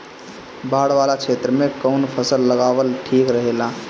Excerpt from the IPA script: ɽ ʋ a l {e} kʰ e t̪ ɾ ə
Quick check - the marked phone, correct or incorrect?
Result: incorrect